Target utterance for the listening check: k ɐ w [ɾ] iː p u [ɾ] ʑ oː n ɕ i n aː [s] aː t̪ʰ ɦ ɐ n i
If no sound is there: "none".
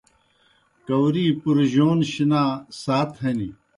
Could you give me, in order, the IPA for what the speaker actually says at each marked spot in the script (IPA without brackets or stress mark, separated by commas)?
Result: ɾ, ɾ, s